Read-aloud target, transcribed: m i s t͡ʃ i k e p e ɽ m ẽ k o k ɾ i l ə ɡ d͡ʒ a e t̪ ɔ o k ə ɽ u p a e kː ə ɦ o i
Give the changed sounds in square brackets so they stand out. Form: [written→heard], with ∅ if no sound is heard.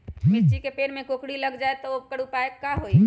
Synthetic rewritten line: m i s t͡ʃ i k e p e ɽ m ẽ k o k [ɾ→ɽ] i l ə ɡ d͡ʒ a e t̪ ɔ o k ə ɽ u p a e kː [ə→a] ɦ o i

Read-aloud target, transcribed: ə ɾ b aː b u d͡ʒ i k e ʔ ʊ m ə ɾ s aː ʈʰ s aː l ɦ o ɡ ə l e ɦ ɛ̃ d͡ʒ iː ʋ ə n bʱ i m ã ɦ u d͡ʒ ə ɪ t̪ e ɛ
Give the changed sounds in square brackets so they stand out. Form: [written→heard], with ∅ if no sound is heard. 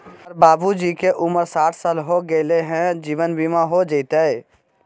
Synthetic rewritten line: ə ɾ b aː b u d͡ʒ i k e ʔ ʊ m ə ɾ s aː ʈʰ s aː l ɦ o ɡ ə l e ɦ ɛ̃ d͡ʒ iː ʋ ə n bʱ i m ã ɦ [u→o] d͡ʒ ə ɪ t̪ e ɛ

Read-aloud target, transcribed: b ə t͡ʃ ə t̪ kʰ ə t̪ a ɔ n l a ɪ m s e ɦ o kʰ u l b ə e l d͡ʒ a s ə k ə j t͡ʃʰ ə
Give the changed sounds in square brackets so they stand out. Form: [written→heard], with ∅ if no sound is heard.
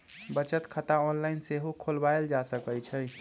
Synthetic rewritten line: b ə t͡ʃ ə t̪ kʰ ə t̪ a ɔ n l a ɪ [m→n] s e ɦ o kʰ [u→o] l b [ə→a] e l d͡ʒ a s ə k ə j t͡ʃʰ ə

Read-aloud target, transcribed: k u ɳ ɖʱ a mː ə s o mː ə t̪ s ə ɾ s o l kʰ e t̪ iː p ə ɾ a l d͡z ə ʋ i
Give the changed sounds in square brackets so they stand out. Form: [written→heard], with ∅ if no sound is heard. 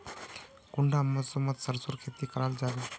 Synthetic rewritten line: k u ɳ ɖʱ a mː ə s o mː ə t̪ s ə ɾ s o [l→ɾ] kʰ e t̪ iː [p→k] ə ɾ a l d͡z [ə→a] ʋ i

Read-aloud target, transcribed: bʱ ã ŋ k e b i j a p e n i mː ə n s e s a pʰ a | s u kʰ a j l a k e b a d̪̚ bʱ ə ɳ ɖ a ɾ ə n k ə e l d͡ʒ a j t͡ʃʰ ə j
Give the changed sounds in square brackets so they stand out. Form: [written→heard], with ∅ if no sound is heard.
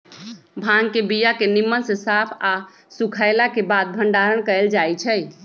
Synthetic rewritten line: bʱ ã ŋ k e b i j a [p→k] e n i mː ə n s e s a pʰ a | s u kʰ a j l a k e b a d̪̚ bʱ ə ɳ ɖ a ɾ ə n k ə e l d͡ʒ a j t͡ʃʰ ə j

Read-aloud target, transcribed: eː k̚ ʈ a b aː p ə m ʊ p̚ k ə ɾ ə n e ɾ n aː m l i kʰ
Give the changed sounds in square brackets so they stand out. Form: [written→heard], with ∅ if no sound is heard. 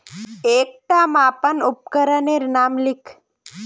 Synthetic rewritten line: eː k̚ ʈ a [b→m] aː p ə [m→n] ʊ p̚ k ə ɾ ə n e ɾ n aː m l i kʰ

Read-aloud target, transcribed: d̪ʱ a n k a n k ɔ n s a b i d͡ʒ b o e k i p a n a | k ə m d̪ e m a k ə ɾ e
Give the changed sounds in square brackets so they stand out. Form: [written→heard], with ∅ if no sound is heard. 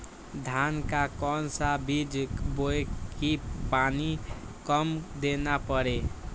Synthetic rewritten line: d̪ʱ a n k a [n→∅] k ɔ n s a b i d͡ʒ b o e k i p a n [a→i] | k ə m d̪ e [m→n] a [k→p] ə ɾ e

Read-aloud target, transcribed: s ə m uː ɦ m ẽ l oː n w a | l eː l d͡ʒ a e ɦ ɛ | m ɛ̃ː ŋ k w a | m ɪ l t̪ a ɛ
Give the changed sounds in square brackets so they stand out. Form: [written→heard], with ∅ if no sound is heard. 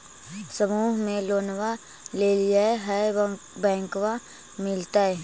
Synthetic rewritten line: s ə m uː ɦ m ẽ l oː n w a | l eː l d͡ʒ a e ɦ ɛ | [m→b] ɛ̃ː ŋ k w a | m ɪ l t̪ a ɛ

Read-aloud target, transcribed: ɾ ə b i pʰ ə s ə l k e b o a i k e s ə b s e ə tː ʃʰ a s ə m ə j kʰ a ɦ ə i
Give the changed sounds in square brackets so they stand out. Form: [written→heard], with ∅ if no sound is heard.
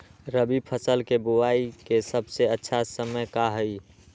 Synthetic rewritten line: ɾ ə b i pʰ ə s ə l k e b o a i k e s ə b s e ə tː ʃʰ a s ə m ə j [kʰ→k] a ɦ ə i

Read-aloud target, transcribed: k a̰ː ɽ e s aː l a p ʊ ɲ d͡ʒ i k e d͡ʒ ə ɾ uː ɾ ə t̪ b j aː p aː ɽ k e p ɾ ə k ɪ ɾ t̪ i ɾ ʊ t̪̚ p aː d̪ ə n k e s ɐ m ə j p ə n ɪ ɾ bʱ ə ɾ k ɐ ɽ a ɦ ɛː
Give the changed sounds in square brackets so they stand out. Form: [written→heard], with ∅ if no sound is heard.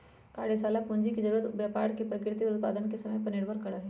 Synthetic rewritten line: k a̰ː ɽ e s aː l a p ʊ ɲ d͡ʒ i k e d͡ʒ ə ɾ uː ɾ ə t̪ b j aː p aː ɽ k e p ɾ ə k ɪ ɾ t̪ i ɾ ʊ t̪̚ p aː d̪ ə n k e s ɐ m ə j p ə n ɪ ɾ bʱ ə ɾ k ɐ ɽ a ɦ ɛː

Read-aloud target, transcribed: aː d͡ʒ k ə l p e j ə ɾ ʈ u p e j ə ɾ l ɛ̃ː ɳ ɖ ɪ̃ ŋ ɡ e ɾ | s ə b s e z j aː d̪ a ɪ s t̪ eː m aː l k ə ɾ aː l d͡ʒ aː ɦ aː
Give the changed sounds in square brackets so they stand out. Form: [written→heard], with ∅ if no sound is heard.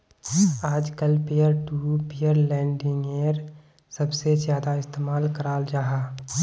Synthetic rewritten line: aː d͡ʒ k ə l p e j ə ɾ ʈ u p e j ə ɾ l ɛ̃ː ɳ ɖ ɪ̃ ŋ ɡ e ɾ | s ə b s e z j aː d̪ a ɪ s t̪ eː m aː l k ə ɾ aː l d͡ʒ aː ɦ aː

